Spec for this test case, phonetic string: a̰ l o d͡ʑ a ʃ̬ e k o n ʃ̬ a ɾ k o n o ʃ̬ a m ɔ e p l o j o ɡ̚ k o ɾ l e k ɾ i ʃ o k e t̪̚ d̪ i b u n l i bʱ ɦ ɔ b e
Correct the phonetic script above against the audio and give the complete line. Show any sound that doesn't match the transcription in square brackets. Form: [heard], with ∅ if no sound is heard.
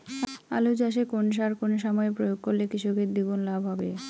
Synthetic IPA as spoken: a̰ l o d͡ʑ a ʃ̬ e k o n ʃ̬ a ɾ k o n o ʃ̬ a m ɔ e p [ɾ] o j o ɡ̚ k o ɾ l e k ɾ i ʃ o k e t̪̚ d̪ i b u n l [a] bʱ ɦ ɔ b e